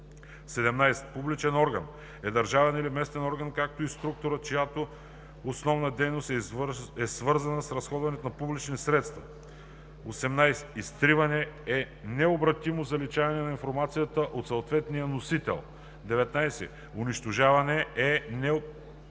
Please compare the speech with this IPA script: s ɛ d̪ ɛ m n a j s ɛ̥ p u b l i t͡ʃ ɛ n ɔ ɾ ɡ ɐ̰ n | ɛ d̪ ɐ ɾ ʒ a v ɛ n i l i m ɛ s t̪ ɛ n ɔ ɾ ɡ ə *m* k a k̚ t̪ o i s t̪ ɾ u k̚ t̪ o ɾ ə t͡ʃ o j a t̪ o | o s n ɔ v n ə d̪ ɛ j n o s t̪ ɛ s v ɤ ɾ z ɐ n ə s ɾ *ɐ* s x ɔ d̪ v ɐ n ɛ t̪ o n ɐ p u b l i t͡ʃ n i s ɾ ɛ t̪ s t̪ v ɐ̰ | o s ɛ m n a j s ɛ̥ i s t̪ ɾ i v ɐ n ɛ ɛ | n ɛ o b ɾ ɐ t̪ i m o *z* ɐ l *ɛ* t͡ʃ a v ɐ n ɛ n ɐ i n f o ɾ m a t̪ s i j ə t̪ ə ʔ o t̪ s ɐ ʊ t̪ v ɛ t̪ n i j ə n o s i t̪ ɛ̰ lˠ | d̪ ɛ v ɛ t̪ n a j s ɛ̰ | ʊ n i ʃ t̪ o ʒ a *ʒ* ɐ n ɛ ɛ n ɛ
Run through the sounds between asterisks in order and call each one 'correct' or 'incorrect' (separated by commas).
incorrect, correct, correct, incorrect, incorrect